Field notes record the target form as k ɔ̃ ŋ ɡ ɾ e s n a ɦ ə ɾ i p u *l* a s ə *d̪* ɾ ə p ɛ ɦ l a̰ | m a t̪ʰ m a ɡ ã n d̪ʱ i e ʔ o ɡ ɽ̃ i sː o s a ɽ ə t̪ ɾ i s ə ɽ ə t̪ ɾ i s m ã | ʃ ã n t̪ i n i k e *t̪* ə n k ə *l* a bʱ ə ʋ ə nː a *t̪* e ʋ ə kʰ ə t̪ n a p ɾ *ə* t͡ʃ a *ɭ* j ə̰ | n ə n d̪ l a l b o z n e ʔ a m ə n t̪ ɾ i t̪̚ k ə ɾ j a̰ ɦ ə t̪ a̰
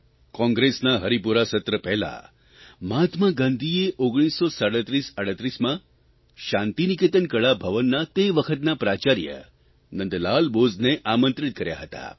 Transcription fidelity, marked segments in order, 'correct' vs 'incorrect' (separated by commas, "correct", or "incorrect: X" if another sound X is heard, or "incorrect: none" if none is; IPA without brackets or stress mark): incorrect: ɾ, incorrect: t̪, correct, incorrect: ɭ, correct, incorrect: a, incorrect: ɾ